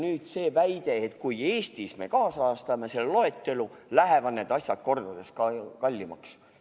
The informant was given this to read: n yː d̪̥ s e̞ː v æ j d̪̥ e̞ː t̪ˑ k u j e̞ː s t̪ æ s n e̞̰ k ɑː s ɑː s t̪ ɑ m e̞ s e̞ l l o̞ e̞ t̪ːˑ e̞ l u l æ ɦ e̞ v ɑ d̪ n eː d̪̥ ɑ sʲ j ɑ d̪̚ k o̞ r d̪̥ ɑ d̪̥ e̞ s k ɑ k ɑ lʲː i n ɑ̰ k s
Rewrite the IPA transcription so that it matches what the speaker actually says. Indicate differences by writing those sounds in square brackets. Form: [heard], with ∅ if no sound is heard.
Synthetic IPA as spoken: n yː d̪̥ s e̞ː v æ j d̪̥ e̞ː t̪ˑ k u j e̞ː s t̪ [i] s [m] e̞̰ k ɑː s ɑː s t̪ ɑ m e̞ s e̞ l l o̞ e̞ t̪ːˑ e̞ l u l æ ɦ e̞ v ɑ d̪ n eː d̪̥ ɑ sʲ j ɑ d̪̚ k o̞ r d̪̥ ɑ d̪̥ e̞ s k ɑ k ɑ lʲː i [m] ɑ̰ k s